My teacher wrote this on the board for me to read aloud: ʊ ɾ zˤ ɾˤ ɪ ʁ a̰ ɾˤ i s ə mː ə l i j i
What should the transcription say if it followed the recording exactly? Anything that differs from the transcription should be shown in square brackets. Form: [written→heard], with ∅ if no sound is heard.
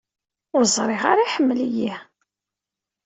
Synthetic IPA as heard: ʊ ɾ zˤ ɾˤ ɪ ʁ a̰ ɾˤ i [s→ħ] ə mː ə l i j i